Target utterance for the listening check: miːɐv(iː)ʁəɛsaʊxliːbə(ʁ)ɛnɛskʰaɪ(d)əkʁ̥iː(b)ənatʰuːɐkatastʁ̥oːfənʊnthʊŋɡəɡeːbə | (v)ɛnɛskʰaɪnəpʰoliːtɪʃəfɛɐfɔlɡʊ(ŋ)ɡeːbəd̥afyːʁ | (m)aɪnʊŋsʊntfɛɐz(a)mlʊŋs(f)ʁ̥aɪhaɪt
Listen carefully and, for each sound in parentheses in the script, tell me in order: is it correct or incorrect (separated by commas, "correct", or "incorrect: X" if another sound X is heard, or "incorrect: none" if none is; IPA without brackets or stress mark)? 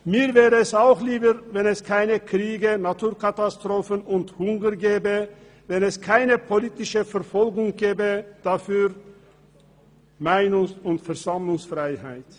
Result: incorrect: ɛː, incorrect: v, incorrect: n, incorrect: ɡ, correct, correct, correct, correct, correct